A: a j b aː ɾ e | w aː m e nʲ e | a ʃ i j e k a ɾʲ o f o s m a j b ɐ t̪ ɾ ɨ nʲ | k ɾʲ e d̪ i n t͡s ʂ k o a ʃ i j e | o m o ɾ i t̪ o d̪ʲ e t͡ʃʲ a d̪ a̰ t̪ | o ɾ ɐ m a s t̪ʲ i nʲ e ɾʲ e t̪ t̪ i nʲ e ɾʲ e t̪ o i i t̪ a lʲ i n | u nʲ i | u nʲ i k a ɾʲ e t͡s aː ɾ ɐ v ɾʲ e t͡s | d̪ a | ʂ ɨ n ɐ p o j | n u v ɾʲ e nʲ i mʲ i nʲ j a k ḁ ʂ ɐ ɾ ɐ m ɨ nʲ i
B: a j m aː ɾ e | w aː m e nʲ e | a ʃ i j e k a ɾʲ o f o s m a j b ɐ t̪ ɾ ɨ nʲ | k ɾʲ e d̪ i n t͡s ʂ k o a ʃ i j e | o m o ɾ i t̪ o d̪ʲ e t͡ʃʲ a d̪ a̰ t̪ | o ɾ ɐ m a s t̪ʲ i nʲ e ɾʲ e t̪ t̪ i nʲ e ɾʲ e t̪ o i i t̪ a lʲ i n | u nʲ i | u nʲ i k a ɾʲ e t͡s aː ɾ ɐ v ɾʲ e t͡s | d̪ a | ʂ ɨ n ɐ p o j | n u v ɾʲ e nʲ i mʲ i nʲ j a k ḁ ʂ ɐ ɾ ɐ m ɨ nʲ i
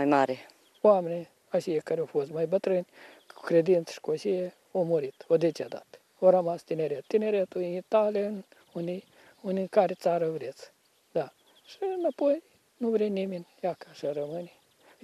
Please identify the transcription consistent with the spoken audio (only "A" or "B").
B